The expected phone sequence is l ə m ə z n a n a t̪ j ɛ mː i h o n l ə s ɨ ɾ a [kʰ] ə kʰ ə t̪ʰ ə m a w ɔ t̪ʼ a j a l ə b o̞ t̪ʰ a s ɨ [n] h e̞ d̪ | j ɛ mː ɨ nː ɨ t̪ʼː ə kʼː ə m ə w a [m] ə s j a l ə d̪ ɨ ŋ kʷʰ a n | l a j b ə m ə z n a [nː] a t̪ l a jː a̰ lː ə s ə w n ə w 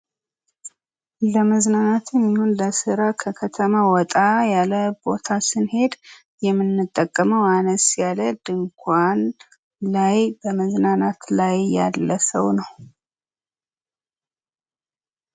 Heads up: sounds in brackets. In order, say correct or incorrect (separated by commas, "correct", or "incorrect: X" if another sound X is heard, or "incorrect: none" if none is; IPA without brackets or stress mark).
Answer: correct, correct, incorrect: n, incorrect: n